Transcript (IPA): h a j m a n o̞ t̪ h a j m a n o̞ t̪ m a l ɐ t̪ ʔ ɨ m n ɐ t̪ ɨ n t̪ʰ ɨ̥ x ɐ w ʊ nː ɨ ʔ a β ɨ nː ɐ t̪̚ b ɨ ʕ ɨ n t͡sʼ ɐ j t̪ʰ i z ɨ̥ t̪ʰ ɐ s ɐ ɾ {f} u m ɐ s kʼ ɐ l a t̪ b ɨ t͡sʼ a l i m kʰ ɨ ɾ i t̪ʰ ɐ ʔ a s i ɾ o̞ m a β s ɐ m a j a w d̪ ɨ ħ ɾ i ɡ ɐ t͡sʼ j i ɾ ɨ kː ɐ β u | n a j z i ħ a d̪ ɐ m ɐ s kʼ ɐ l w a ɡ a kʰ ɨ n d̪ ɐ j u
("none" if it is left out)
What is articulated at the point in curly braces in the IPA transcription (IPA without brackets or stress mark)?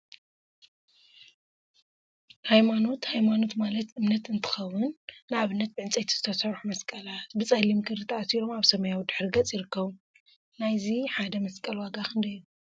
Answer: ħ